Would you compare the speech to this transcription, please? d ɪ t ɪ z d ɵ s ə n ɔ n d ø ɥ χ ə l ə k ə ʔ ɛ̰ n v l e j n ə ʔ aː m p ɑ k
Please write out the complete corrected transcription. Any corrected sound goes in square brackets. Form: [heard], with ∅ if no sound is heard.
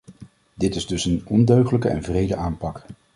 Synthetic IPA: d ɪ t ɪ z d ɵ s ə n ɔ n d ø ɥ χ ə l ə k ə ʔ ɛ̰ n v [r] e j [d] ə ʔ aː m p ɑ k

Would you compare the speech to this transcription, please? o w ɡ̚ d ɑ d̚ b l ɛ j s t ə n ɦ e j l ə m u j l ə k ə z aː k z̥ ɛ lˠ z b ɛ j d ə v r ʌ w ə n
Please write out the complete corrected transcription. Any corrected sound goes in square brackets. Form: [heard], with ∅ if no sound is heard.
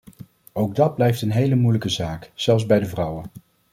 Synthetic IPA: o w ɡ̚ d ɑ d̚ b l ɛ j [f] t ə n ɦ e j l ə m u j l ə k ə z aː k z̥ ɛ lˠ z b ɛ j d ə v r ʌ w ə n

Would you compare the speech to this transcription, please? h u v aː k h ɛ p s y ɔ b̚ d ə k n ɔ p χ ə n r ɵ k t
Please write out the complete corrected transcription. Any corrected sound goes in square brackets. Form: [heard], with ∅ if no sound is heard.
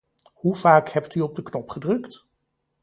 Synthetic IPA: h u v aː k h ɛ p [t] y ɔ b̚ d ə k n ɔ p χ ə [d] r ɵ k t

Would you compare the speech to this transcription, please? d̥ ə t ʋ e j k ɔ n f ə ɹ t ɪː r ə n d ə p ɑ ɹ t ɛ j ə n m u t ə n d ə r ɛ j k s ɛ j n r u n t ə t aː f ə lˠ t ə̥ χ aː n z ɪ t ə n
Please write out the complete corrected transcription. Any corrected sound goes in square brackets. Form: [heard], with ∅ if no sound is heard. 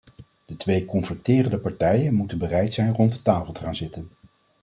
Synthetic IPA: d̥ ə t ʋ e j k ɔ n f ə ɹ t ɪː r ə n d ə p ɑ ɹ t ɛ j ə n m u t ə n [b] ə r ɛ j [t] s ɛ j n r [ɔ] n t ə t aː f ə lˠ t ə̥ χ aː n z ɪ t ə n

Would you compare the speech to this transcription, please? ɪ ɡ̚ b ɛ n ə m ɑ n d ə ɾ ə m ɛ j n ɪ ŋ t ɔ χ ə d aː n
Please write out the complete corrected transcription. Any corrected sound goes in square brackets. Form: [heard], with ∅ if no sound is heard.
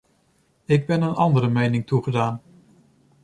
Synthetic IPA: ɪ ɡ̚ b ɛ n ə [n] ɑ n d ə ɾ ə m [e] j n ɪ ŋ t [u] χ ə d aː n

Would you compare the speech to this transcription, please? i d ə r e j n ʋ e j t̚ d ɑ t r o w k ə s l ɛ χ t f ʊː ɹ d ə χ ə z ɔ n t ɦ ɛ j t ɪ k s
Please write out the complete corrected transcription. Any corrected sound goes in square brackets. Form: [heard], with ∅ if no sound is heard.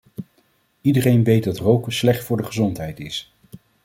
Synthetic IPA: i d ə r e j n ʋ e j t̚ d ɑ t r o w k ə s l ɛ χ t f ʊː ɹ d ə χ ə z ɔ n t ɦ ɛ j t ɪ [∅] s

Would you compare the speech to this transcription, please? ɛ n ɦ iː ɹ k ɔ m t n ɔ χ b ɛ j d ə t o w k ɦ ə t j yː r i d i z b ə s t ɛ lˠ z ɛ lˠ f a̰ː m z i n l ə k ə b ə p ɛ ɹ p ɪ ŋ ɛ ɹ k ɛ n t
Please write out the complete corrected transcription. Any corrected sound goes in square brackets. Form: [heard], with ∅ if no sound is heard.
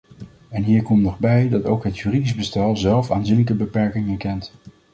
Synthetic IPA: ɛ n ɦ iː ɹ k ɔ m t n ɔ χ b ɛ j d [ɑ] t o w k ɦ ə t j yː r i d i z b ə s t ɛ lˠ z ɛ lˠ f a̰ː [n] z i n l ə k ə b ə p ɛ ɹ [k] ɪ ŋ ɛ ɹ k ɛ n t

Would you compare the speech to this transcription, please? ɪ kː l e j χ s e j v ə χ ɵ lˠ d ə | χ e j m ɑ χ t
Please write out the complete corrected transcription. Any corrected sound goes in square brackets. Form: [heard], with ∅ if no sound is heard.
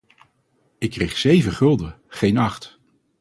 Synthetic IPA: ɪ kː [r] e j χ s e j v ə χ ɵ lˠ d ə | χ e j [n] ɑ χ t

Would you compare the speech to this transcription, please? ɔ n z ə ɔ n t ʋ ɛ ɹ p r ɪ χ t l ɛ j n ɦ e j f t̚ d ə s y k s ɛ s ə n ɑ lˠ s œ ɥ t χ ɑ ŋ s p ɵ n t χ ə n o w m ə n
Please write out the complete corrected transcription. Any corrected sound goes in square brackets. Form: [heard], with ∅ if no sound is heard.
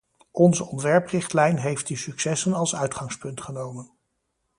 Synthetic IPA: ɔ n z ə ɔ n t ʋ ɛ ɹ p r ɪ χ t l ɛ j n ɦ e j f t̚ d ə s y k s ɛ s ə n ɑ lˠ s œ ɥ t χ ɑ ŋ s p ɵ n t χ ə n o w m ə n

